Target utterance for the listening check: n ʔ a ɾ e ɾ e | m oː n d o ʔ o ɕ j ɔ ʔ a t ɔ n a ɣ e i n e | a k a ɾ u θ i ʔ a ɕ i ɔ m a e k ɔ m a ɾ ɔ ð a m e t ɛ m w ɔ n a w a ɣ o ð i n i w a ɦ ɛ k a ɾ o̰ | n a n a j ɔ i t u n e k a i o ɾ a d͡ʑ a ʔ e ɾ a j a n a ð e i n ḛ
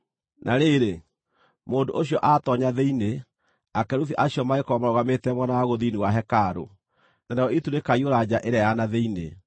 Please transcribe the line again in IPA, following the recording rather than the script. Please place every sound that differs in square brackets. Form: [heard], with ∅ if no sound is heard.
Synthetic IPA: n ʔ a ɾ e ɾ e | m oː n d o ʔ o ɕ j ɔ ʔ a t ɔ [ɲ] a [ð] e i n e | a k [ɛ] ɾ u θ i ʔ a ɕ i ɔ m a e k ɔ m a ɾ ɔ [ɣ] a m e t ɛ m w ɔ n a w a ɣ o ð i n i w a ɦ ɛ k a ɾ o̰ | n a n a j ɔ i t u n e k a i o ɾ a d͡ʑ a ʔ e ɾ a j a n a ð e i n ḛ

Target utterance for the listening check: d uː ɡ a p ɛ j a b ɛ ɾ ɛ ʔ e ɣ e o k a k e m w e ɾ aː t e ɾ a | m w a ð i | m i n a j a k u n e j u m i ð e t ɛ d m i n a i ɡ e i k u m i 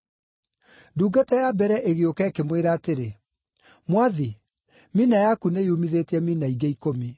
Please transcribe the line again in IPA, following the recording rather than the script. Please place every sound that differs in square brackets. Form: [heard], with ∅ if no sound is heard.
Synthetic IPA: d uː ɡ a [t] ɛ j a b ɛ ɾ ɛ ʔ e ɣ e o k [ɛ] k e m w e ɾ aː t e ɾ [e] | m w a ð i | m i n a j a k u n e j u m i ð e t ɛ [∅] m i n a i ɡ e i k [o] m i

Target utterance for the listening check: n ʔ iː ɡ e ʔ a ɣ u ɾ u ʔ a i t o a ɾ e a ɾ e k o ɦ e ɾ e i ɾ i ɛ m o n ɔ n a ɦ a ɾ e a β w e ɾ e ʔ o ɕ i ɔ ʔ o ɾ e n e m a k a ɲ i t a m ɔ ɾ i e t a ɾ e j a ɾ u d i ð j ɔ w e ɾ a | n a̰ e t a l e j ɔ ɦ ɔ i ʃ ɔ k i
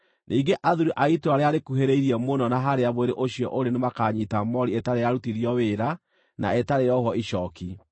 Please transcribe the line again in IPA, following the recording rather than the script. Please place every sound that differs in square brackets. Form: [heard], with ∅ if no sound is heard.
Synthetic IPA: n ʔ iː ɡ e ʔ a [ð] u ɾ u ʔ a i t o a ɾ e a ɾ e k [u] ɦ e ɾ e i ɾ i ɛ m o n ɔ n a ɦ a ɾ e a β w e ɾ e ʔ o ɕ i ɔ ʔ o ɾ e n e m a k a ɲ i t a m ɔ ɾ i e t a ɾ e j a ɾ u [t] i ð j ɔ w e ɾ a | n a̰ e t a [ɾ] e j ɔ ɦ ɔ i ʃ ɔ k i

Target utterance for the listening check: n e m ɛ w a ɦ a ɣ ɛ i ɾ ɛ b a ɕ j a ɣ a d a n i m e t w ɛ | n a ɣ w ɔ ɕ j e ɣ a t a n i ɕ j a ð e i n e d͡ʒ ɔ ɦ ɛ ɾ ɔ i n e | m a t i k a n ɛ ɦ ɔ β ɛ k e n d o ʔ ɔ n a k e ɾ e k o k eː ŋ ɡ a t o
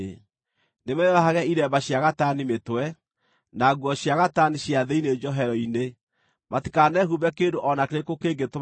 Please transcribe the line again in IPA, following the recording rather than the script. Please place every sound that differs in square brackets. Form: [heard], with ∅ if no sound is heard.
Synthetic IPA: n e m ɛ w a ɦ a ɣ ɛ i ɾ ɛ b a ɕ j a ɣ a [t] a n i m e t w ɛ | n a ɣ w ɔ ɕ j [a] ɣ a t a n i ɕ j a ð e i n e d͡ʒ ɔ ɦ ɛ ɾ ɔ i n e | m a t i k a n ɛ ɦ [u] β ɛ k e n d o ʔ ɔ n a k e ɾ e k o k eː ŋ ɡ [e] t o

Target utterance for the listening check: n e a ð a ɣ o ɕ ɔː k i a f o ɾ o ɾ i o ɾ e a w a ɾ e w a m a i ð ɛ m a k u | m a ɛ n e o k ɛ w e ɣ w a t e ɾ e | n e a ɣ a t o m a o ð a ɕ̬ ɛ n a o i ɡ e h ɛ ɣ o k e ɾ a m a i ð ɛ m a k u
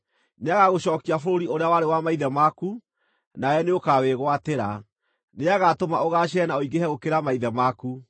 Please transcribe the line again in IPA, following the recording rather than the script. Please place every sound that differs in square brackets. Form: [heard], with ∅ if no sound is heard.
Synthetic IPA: n e a [ɣ] a ɣ o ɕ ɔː k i a f o ɾ o ɾ i o ɾ e a w a ɾ e w a m a i ð ɛ m a k u | [n] a ɛ n e o k [a] w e ɣ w a t e ɾ [a] | n e a ɣ a t o m a o [ɣ] a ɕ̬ ɛ n a o i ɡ e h ɛ ɣ o k e ɾ a m a i ð ɛ m a k u

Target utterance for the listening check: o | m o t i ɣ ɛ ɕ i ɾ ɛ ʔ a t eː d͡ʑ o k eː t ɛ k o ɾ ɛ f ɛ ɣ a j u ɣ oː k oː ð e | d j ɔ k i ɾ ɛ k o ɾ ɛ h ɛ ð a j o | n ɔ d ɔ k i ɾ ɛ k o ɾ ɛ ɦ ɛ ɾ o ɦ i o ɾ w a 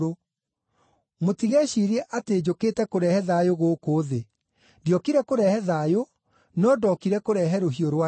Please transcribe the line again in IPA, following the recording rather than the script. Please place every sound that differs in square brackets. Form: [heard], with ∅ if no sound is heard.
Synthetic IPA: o | m o t i ɣ ɛ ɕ i ɾ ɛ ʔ a t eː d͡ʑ o k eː t ɛ k o ɾ ɛ [h] ɛ [ð] a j [o] ɣ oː k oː ð e | d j ɔ k i ɾ ɛ k o ɾ ɛ h ɛ ð a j o | n ɔ d ɔ k i ɾ ɛ k o ɾ ɛ ɦ ɛ ɾ o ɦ i o ɾ w a

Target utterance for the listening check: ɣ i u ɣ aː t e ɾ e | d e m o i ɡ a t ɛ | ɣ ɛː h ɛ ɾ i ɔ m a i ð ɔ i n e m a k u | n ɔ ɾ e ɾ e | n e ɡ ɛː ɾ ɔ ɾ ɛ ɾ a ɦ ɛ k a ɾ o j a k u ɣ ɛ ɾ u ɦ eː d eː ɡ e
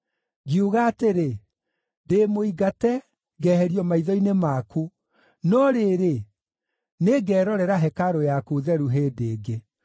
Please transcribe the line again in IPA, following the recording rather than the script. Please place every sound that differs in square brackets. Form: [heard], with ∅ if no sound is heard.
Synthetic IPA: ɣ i u ɣ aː t e ɾ e | d e m o i ɡ a t ɛ | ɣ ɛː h ɛ ɾ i ɔ m a i ð ɔ i n e m a k u | n ɔ ɾ e ɾ e | n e ɡ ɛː ɾ ɔ ɾ ɛ ɾ a ɦ ɛ k a ɾ o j a k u [ð] ɛ ɾ u ɦ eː d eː ɡ e

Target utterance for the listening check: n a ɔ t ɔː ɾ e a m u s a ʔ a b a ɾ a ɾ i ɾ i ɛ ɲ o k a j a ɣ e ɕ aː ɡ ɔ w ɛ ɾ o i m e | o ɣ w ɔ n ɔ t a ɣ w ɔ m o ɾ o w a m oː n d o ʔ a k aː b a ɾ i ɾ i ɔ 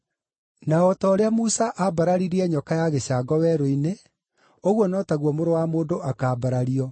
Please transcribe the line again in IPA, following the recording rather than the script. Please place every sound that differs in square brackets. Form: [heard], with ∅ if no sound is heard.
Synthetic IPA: n a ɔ t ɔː ɾ e a m u s a ʔ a b a ɾ a ɾ i ɾ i ɛ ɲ [ɔ] k a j a ɣ e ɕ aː ɡ ɔ w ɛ ɾ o i [n] e | o ɣ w ɔ n ɔ t a ɣ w ɔ m o ɾ o w a m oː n d o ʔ a k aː b a ɾ [a] ɾ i ɔ

